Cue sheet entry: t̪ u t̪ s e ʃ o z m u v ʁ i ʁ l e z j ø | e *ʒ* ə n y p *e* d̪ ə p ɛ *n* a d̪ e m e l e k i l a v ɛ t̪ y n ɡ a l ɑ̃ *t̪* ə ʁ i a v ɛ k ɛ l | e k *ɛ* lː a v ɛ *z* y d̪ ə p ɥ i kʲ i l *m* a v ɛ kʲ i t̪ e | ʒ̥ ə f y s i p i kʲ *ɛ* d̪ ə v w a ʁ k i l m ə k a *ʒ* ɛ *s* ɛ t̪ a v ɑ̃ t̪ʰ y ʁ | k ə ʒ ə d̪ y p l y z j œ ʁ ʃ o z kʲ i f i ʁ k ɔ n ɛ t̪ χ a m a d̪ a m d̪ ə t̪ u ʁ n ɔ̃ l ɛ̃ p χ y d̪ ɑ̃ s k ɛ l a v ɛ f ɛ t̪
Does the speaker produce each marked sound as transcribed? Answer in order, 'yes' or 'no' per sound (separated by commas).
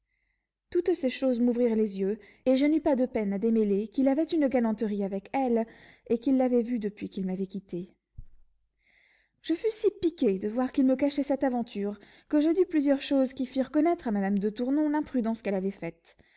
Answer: yes, no, yes, yes, no, no, yes, no, no, yes